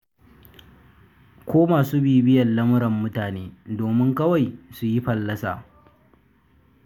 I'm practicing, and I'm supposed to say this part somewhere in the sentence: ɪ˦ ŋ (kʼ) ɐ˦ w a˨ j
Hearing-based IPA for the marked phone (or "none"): k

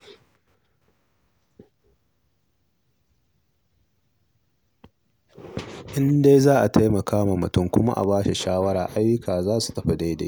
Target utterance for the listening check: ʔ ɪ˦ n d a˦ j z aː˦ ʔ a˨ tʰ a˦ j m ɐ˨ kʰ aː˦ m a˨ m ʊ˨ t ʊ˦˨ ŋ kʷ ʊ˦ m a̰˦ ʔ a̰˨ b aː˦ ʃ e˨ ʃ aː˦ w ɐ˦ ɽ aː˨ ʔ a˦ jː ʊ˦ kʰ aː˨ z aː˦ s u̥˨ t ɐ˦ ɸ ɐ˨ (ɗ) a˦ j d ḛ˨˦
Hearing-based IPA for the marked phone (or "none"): d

